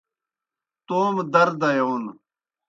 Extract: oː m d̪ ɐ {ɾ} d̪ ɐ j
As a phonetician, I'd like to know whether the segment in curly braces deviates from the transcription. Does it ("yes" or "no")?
no